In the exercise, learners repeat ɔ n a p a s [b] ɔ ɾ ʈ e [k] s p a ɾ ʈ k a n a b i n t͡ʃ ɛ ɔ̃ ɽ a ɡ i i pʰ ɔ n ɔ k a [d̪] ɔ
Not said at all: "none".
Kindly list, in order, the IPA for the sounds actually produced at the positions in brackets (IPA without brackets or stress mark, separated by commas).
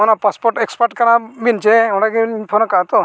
p, k, t̪